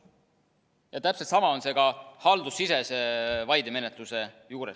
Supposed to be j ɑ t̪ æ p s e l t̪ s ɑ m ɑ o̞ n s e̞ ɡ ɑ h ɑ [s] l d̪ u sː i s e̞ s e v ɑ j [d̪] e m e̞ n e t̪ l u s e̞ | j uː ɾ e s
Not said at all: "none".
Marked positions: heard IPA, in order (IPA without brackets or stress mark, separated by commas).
none, d̪